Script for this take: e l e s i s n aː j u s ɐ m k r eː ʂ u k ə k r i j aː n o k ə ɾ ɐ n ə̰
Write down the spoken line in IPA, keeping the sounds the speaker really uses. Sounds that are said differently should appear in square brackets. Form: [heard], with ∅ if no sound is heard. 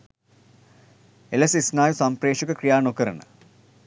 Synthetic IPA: e l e s i s n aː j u s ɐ m [p] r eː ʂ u k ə k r i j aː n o k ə ɾ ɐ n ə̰